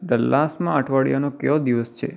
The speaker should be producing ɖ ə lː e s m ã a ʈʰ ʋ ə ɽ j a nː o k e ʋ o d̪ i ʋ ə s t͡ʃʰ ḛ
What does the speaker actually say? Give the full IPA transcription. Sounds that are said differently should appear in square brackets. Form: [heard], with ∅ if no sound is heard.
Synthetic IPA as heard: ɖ ə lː [a] s m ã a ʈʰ ʋ [a] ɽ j a [n] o k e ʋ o d̪ i ʋ ə s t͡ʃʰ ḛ